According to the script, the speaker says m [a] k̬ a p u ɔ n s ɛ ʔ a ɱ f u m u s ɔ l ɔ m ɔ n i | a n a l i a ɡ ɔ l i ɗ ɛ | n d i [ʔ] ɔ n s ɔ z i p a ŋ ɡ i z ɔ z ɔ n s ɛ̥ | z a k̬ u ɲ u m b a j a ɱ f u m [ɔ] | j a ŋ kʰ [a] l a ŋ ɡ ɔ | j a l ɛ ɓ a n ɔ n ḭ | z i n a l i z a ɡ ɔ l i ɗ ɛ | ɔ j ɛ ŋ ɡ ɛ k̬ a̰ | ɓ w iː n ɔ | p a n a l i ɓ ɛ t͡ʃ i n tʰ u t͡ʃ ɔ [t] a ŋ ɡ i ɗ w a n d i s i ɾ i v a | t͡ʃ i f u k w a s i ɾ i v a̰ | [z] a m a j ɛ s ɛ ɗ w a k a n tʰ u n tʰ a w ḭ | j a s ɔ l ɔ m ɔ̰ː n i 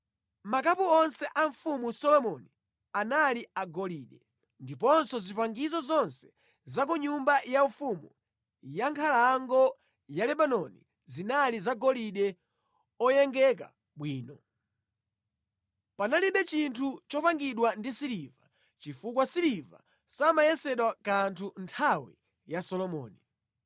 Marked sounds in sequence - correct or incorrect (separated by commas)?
correct, incorrect, incorrect, correct, incorrect, incorrect